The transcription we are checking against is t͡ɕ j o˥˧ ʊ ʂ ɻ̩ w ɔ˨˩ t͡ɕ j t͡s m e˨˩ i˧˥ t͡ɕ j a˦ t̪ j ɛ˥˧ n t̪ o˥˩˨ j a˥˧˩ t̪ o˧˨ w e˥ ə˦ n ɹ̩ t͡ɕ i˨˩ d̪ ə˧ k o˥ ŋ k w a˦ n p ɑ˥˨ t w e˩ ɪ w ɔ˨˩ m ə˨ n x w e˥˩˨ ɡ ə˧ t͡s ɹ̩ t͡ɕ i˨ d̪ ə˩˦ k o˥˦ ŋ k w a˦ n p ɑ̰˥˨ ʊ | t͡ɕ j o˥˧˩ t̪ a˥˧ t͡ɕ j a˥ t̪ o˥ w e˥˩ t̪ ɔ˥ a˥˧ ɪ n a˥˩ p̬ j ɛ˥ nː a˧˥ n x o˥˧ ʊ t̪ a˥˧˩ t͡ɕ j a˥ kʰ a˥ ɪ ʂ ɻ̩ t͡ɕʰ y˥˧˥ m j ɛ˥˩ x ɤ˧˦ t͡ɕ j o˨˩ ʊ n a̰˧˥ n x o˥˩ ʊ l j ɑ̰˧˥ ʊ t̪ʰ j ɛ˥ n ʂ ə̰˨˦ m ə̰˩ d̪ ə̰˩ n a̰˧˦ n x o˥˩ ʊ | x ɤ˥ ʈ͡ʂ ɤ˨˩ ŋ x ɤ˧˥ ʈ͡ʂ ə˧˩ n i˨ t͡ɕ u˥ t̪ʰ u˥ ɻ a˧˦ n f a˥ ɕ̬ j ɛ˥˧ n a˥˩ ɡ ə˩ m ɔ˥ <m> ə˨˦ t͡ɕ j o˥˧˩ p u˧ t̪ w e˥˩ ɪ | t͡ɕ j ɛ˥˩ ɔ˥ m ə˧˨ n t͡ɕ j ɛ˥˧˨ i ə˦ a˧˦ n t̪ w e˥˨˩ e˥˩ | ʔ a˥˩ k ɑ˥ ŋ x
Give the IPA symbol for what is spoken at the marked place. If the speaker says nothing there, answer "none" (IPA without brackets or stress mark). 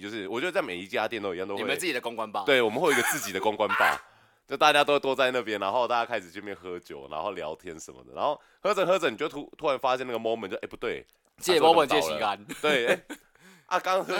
m